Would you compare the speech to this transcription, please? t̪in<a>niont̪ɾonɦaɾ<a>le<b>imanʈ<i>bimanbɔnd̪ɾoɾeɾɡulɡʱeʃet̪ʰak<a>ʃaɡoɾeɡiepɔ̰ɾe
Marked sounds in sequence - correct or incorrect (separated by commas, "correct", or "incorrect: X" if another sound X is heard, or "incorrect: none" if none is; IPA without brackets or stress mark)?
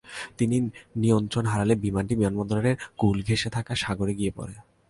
incorrect: i, correct, correct, correct, correct